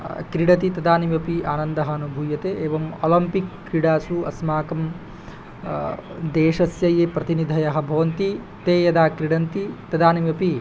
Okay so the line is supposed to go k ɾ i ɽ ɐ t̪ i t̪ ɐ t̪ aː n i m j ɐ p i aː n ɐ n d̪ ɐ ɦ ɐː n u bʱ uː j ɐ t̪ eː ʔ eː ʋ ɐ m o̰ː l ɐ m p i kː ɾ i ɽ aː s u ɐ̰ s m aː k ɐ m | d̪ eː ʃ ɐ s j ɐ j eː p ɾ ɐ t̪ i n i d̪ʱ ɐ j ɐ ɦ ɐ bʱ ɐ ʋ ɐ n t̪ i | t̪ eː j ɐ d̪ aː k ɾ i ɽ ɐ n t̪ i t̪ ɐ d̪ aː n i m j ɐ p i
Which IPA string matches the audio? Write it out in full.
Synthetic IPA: k ɾ i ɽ ɐ t̪ i t̪ ɐ d̪ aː n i m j ɐ p i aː n ɐ n d̪ ɐ ɦ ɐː n u bʱ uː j ɐ t̪ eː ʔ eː ʋ ɐ m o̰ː l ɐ m p i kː ɾ i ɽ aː s u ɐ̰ s m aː k ɐ m | d̪ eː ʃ ɐ s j ɐ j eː p ɾ ɐ t̪ i n i d̪ʱ ɐ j ɐ ɦ ɐ bʱ ɐ ʋ ɐ n t̪ i | t̪ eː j ɐ d̪ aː k ɾ i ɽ ɐ n t̪ i t̪ ɐ d̪ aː n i m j ɐ p i